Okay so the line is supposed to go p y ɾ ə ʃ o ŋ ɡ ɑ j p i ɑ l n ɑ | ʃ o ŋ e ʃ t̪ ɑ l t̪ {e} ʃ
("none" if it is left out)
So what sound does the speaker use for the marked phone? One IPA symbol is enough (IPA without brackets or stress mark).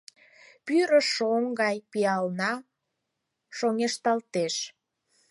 e